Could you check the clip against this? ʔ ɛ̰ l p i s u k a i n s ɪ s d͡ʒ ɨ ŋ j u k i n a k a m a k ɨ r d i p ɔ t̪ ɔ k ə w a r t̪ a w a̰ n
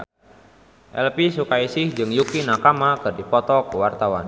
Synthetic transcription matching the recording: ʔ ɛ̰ l p i s u k a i s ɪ h d͡ʒ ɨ ŋ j u k i n a k a m a k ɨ r d i p ɔ t̪ ɔ k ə w a r t̪ a w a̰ n